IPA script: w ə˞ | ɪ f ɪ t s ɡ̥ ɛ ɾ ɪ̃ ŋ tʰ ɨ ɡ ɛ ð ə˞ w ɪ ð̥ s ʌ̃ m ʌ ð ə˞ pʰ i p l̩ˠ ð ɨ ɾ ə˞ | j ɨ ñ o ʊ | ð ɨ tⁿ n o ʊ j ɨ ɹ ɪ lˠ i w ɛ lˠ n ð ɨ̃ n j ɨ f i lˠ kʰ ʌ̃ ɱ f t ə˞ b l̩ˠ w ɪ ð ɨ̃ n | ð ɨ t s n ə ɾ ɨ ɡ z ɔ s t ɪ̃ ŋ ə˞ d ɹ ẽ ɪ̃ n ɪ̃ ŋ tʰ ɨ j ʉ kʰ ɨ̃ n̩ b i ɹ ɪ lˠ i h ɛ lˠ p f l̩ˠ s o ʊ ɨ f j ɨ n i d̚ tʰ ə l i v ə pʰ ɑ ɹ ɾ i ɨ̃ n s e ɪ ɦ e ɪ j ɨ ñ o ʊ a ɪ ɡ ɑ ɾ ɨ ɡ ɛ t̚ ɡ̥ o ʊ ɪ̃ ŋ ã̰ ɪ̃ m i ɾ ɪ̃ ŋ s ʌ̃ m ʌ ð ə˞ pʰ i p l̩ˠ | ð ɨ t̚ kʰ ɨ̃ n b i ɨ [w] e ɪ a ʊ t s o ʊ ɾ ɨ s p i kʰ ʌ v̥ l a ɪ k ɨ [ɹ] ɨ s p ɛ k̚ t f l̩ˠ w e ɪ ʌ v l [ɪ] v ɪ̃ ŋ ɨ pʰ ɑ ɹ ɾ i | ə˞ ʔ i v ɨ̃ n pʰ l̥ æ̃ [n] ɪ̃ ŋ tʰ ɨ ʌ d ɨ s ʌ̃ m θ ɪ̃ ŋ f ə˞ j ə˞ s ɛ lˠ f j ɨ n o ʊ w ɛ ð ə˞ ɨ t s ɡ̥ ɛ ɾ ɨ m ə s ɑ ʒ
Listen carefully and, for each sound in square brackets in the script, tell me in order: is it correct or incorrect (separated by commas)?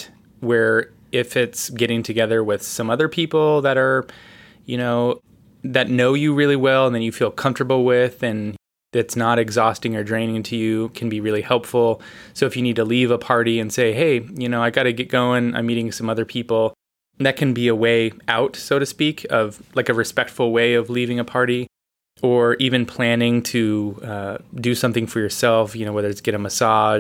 correct, correct, incorrect, correct